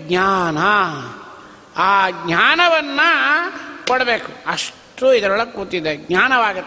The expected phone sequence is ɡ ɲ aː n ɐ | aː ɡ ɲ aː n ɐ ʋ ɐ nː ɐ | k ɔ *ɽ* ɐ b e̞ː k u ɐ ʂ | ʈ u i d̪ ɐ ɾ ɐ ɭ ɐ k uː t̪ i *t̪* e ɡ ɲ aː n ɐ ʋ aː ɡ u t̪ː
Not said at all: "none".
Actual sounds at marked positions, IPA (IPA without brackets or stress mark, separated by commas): ɽ, d̪